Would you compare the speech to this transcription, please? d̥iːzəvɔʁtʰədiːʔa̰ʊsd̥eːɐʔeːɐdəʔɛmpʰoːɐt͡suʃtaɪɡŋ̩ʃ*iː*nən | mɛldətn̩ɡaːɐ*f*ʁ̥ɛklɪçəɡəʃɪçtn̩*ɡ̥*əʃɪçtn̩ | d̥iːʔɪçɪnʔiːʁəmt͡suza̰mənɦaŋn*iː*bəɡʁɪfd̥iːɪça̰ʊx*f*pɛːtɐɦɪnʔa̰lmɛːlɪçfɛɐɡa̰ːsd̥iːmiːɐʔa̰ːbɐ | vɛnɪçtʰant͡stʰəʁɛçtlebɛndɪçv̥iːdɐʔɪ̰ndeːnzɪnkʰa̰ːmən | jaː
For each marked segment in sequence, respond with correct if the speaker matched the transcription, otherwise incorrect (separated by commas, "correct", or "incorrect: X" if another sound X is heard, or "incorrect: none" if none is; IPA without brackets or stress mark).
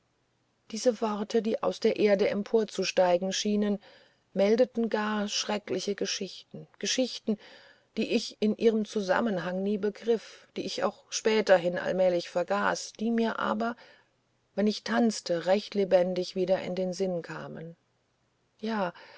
correct, incorrect: ʃ, correct, correct, incorrect: ʃ